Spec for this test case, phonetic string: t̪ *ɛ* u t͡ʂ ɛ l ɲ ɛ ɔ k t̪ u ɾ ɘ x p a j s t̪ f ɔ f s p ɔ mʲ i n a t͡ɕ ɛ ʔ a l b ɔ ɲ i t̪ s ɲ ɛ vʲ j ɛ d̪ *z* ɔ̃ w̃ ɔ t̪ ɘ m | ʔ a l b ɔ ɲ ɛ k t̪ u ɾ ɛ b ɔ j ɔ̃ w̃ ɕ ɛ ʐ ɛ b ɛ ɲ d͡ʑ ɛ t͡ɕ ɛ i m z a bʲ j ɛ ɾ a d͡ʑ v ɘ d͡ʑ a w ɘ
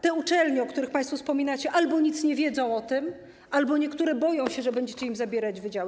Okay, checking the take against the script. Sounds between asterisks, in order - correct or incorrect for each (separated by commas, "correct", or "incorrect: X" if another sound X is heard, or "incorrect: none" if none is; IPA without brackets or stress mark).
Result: correct, correct